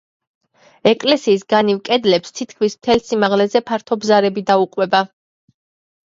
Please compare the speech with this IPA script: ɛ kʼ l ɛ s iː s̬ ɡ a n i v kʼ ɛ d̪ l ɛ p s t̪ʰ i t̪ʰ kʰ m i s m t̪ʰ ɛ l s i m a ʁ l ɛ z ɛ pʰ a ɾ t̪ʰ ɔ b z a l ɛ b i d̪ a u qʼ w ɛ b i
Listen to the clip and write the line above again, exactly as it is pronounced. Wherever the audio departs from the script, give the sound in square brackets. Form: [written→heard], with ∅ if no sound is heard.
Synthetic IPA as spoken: ɛ kʼ l ɛ s iː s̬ ɡ a n i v kʼ ɛ d̪ l ɛ p s t̪ʰ i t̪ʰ kʰ m i s m t̪ʰ ɛ l s i m a ʁ l ɛ z ɛ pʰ a ɾ t̪ʰ ɔ b z a [l→ɾ] ɛ b i d̪ a u qʼ w ɛ b [i→a]

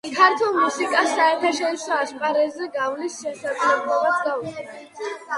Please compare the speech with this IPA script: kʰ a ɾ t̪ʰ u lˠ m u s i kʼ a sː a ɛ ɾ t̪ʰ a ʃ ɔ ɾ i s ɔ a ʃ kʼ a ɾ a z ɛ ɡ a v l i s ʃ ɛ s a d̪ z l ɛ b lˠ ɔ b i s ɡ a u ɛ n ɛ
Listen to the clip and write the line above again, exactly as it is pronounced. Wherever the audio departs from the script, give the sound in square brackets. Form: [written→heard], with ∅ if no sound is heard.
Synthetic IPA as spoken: kʰ a ɾ t̪ʰ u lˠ m u s i kʼ a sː a ɛ ɾ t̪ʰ a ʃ ɔ ɾ i s ɔ a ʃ [kʼ→pʼ] a ɾ [a→ɛ] z ɛ ɡ a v l i s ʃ ɛ s a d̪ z l ɛ b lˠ ɔ b [i→a] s ɡ a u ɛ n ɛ

